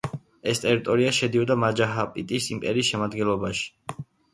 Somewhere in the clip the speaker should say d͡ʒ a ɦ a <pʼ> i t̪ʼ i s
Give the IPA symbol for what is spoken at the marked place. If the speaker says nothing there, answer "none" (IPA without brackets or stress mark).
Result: pʼ